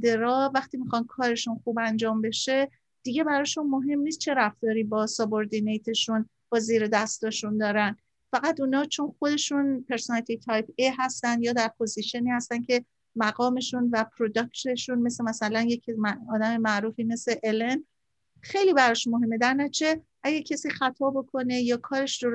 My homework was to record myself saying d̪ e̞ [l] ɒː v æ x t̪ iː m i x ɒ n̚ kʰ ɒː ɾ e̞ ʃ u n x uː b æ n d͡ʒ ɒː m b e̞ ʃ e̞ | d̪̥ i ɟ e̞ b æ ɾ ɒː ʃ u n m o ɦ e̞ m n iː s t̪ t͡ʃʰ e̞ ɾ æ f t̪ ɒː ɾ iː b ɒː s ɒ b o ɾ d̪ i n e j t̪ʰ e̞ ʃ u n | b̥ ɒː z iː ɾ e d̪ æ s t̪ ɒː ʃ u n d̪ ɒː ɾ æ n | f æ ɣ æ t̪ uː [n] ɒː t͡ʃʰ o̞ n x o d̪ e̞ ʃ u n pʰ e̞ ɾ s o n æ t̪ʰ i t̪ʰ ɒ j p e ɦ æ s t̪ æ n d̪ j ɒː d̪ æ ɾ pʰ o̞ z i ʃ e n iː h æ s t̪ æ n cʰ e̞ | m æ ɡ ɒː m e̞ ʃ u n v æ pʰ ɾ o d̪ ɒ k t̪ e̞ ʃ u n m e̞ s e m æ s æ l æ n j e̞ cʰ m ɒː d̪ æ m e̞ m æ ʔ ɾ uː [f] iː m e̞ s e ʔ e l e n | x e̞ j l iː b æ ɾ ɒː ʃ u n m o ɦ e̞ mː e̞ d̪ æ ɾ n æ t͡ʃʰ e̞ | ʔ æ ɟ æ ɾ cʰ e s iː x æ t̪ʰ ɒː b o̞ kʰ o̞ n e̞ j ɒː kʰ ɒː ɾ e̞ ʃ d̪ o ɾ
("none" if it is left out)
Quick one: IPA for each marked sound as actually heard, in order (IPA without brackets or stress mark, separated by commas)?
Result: ɾ, n, f